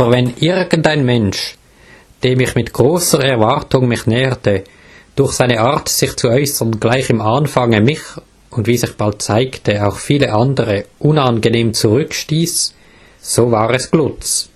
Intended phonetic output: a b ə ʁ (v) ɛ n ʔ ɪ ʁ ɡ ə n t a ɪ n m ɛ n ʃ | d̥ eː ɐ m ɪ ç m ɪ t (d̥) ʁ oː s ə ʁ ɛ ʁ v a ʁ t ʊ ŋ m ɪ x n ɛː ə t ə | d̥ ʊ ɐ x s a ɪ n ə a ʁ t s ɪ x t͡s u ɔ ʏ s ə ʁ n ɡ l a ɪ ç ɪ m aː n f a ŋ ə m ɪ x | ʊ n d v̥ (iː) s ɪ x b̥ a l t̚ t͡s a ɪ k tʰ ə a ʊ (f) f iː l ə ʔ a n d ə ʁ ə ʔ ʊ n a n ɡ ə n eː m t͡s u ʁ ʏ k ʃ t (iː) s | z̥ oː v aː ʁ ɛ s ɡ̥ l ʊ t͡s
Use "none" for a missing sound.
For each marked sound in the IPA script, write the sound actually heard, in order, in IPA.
v, ɡ̥, iː, x, iː

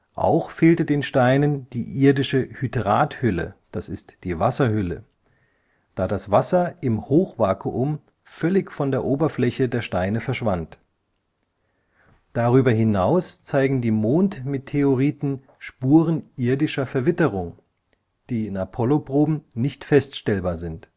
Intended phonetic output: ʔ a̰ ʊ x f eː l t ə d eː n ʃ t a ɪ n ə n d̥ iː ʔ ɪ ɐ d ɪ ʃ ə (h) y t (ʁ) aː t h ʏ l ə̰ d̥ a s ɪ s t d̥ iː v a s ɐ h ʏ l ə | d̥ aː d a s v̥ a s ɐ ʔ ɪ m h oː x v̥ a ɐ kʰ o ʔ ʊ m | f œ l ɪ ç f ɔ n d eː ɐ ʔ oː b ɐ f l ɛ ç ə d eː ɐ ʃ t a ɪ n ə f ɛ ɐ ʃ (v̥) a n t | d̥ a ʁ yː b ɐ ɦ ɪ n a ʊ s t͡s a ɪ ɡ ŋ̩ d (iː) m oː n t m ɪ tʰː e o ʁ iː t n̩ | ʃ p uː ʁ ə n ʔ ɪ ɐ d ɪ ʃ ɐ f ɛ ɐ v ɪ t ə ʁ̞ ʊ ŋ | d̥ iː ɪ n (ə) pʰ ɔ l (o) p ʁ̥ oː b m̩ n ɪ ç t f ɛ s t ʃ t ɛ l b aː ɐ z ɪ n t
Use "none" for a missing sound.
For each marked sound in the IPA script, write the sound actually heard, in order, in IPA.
h, ʁ, v̥, iː, a, o

